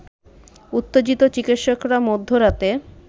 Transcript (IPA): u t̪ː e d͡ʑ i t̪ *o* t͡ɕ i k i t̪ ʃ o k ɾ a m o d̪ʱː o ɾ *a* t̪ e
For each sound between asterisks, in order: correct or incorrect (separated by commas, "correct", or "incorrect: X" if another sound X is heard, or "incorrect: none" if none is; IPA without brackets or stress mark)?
correct, correct